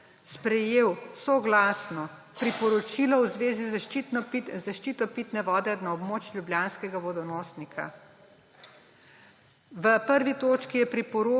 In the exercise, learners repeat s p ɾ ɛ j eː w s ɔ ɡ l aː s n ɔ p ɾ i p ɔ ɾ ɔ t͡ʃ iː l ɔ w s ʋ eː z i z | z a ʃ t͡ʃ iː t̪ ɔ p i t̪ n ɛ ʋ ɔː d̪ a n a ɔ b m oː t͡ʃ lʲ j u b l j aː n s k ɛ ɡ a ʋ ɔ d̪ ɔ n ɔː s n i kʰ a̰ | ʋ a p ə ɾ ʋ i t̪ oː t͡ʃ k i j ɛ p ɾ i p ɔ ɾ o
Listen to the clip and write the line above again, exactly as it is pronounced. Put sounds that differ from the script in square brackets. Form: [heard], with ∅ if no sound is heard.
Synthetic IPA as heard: s p ɾ ɛ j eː w s ɔ ɡ l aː s n ɔ p ɾ i p ɔ ɾ ɔ t͡ʃ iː l ɔ w [z] ʋ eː z i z | z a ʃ t͡ʃ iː t̪ ɔ p i t̪ n ɛ ʋ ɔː d̪ [ɛ] n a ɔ b m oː t͡ʃ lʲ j u b l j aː n s k ɛ ɡ a ʋ ɔ d̪ ɔ n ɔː s n i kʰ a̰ | ʋ [ə] p ə ɾ ʋ i t̪ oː t͡ʃ k i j ɛ p ɾ i p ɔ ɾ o